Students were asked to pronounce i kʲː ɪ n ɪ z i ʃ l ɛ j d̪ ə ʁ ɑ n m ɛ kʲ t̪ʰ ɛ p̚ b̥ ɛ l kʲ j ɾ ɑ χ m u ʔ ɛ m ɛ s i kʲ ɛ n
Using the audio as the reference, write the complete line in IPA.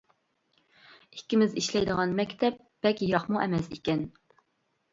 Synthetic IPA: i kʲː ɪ m ɪ z i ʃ l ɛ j d̪ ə ʁ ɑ n m ɛ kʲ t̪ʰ ɛ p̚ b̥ ɛ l kʲ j ɾ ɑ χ m u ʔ ɛ m ɛ s i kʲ ɛ n

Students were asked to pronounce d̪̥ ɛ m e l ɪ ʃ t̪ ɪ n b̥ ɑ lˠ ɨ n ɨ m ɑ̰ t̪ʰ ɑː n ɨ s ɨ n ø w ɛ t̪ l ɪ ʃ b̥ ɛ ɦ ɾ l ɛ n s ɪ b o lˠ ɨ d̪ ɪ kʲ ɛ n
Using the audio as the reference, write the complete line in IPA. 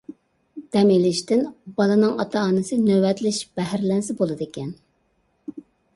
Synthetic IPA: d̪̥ ɛ m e l ɪ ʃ t̪ ɪ n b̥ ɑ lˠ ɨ n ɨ ŋ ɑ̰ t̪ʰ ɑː n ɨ s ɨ n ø w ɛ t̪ l ɪ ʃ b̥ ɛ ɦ ɾ l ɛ n s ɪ b o lˠ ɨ d̪ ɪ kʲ ɛ n

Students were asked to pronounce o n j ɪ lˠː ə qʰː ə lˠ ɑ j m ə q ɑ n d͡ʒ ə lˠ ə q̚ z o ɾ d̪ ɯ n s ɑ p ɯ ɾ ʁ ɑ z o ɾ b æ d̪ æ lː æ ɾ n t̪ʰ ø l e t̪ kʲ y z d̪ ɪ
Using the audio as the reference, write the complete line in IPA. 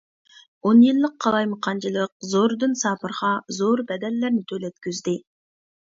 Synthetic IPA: o n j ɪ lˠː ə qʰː ɑ lˠ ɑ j m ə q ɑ n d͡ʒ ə lˠ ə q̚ z o ɾ d̪ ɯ n s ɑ p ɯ ɾ ʁ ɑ z o ɾ b æ d̪ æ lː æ ɾ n t̪ʰ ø l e t̪ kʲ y z d̪ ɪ

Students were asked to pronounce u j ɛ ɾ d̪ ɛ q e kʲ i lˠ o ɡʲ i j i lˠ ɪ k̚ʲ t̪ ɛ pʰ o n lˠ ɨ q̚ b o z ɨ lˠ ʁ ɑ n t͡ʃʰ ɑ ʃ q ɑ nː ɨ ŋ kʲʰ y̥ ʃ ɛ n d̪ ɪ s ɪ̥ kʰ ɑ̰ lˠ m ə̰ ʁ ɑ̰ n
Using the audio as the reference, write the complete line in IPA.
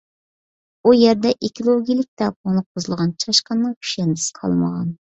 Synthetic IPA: u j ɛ ɾ d̪ ɛ ʔ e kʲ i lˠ o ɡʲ i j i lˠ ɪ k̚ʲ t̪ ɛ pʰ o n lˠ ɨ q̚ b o z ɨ lˠ ʁ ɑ n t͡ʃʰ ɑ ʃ q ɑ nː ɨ ŋ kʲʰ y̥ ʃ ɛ n d̪ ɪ s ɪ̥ qʰ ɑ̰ lˠ m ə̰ ʁ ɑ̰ n

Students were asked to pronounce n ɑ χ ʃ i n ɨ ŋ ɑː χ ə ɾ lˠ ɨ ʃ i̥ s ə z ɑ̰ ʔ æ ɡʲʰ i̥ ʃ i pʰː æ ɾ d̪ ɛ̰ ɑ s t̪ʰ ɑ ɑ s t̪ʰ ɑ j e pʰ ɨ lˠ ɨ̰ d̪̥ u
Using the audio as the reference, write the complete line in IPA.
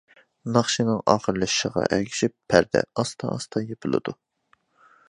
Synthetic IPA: n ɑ χ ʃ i n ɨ ŋ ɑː χ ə ɾ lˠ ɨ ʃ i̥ ʃ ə ʁ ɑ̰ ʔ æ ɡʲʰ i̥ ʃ i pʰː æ ɾ d̪ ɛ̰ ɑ s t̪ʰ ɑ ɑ s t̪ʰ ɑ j e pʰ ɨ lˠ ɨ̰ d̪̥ u

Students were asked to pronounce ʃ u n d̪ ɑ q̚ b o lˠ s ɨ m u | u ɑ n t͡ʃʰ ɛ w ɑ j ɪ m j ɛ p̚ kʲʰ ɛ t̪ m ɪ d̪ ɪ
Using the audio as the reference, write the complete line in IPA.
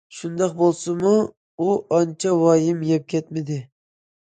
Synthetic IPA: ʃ u n d̪ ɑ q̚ b o lˠ s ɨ m u | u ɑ n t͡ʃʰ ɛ w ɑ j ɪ m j ɛ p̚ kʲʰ ɛ t̪ m ɪ d̪ ɪ

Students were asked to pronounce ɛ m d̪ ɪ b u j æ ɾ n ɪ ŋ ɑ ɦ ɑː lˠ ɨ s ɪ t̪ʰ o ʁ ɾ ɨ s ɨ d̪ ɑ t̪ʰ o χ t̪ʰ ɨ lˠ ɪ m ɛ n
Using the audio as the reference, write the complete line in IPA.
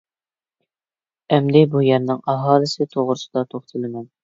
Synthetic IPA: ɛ m d̪ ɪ b u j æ ɾ n ɪ ŋ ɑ ɦ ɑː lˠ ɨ s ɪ t̪ʰ o ʁ ɾ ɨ s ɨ d̪ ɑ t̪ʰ o χ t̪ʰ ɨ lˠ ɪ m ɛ n

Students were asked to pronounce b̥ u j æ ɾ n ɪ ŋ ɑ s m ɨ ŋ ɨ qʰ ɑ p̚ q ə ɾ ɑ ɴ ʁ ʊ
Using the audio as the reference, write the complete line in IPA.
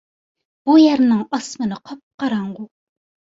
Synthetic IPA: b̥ u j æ ɾ n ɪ ŋ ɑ s m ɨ n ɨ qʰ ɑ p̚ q ɑ ɾ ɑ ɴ ʁ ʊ

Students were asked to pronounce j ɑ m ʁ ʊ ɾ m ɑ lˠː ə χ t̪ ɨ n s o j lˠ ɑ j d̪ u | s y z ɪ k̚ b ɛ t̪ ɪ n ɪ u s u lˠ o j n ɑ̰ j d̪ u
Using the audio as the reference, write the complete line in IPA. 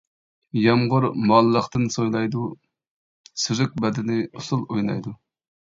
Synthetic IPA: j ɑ m ʁ ʊ ɾ m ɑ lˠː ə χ t̪ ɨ n s o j lˠ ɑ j d̪ u | s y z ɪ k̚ b ɛ d̪ ɪ n ɪ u s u lˠ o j n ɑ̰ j d̪ u

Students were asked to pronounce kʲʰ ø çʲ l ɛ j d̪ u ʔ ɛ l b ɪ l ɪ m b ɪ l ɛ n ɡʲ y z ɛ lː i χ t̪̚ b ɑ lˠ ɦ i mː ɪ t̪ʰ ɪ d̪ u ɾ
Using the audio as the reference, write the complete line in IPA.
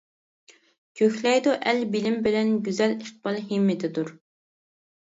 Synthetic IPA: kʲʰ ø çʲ l ɛ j d̪ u ʔ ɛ l b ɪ l ɪ m b ɪ l ɛ n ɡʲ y z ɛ l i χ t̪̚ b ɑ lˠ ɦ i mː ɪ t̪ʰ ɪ d̪ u ɾ

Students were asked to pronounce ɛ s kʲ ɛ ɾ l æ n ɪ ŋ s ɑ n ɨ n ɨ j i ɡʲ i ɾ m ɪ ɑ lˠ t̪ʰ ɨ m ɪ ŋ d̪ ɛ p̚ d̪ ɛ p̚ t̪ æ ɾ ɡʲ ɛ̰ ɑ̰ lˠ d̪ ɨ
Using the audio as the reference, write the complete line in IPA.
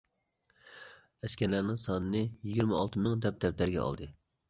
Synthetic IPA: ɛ s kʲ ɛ ɾ l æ n ɪ ŋ s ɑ n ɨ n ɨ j i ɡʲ i ɾ m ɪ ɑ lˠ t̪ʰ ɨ m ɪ ŋ d̪ ɛ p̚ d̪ ɛ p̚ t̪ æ ɾ ɡʲ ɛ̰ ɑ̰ lˠ d̪ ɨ

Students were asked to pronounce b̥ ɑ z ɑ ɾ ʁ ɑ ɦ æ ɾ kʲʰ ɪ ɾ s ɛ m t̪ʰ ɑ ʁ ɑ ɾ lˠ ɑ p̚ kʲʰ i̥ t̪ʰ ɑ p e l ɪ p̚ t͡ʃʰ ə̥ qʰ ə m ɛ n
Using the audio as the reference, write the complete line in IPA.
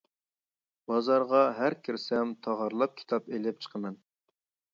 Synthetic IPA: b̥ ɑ z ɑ ɾ ʁ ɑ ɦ æ ɾ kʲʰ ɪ ɾ s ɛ m t̪ʰ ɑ ʁ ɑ ɾ lˠ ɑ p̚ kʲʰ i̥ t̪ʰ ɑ p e l ɪ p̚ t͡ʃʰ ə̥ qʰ ə m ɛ n

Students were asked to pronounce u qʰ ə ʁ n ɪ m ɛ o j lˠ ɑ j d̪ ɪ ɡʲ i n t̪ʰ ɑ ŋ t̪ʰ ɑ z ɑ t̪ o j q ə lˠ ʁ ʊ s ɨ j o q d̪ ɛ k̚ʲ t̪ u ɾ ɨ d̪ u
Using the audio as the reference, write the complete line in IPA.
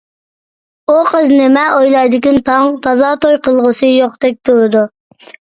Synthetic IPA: u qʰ ə z n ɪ m ɛ o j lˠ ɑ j d̪ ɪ kʲ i n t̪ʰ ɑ ŋ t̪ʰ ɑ z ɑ t̪ o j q ə lˠ ʁ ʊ s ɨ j o q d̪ ɛ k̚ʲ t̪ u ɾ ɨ d̪ u

